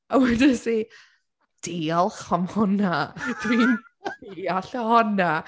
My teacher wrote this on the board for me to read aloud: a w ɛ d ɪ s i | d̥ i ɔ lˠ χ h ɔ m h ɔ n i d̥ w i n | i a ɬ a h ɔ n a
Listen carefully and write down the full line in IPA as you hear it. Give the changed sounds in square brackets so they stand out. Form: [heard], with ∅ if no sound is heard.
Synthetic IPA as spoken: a w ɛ d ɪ s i | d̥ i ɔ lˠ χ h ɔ m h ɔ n [a] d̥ w i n | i a ɬ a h ɔ n a